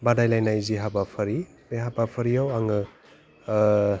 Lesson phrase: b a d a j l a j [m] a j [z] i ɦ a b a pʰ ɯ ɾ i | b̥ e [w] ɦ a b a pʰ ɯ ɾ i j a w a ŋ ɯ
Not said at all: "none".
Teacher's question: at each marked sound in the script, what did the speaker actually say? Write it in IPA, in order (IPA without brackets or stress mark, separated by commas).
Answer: n, z, none